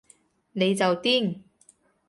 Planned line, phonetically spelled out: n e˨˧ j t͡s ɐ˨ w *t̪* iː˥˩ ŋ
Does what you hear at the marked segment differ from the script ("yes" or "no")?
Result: no